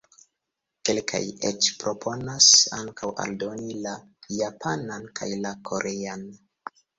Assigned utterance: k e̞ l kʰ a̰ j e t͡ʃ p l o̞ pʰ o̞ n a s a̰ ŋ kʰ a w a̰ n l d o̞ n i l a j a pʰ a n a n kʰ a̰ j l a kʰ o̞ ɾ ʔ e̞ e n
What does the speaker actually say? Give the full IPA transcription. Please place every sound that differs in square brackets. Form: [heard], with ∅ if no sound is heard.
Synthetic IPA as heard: k e̞ l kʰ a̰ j e t͡ʃ p [ɾ] o̞ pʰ o̞ n a s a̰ ŋ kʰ a w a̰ [∅] l d o̞ n i l a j a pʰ a n a n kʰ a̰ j l a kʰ o̞ ɾ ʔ e̞ [a] n